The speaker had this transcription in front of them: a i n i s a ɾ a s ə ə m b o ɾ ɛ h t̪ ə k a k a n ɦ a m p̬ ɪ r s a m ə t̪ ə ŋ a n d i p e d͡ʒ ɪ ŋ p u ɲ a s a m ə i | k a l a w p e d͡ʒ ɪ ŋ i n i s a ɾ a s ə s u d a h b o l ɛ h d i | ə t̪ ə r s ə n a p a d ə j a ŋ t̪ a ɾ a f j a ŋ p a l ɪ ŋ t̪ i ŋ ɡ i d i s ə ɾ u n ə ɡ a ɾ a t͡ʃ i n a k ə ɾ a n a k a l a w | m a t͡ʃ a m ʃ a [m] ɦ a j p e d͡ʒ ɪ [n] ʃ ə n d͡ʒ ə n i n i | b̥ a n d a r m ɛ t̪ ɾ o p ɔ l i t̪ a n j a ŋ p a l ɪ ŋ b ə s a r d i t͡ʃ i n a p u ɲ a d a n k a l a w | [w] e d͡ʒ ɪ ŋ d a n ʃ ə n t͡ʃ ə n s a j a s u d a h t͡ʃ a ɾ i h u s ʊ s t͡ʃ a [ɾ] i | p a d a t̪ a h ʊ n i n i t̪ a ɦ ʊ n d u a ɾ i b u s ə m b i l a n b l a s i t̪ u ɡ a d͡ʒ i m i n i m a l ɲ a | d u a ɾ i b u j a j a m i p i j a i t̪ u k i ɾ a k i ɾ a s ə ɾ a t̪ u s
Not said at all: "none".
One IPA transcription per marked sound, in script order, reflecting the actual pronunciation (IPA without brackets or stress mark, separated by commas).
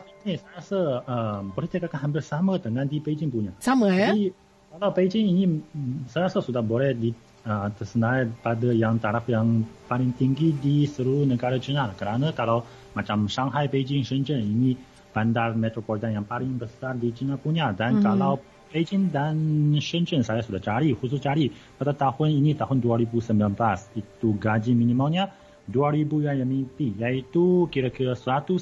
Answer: ŋ, ŋ, b, ɾ